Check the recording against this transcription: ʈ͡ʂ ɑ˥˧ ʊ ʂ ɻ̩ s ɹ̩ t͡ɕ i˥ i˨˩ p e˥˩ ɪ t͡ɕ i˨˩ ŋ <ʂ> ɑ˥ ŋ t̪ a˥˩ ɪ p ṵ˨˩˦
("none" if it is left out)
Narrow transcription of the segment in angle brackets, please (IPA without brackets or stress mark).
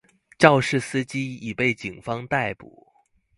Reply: f